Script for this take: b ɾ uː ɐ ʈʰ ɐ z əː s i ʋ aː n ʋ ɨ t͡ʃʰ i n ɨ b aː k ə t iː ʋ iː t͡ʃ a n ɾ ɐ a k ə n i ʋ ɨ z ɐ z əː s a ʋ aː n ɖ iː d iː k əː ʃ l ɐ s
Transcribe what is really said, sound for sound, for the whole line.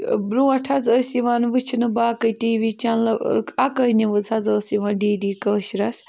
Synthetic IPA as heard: b ɾ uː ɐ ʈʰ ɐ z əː s i ʋ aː n ʋ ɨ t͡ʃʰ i n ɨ b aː k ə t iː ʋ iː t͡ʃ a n l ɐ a k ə n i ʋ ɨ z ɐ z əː s i ʋ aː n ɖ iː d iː k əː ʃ ɾ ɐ s